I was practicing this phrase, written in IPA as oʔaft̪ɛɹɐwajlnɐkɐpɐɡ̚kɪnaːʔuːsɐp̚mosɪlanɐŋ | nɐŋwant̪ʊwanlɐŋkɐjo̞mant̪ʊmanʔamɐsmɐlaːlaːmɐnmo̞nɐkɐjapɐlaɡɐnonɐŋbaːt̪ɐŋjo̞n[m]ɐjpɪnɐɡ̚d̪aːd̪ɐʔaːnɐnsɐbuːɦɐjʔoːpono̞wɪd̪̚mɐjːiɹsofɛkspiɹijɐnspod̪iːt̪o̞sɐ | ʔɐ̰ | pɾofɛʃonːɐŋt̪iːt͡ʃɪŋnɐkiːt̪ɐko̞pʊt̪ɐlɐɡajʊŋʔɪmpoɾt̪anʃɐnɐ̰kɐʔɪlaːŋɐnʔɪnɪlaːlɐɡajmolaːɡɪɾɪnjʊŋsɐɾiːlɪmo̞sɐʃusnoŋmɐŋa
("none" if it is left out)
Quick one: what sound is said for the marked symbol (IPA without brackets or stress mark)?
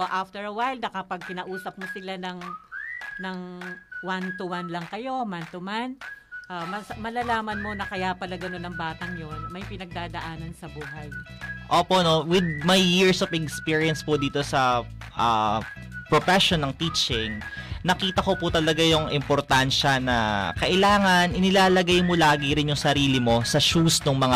m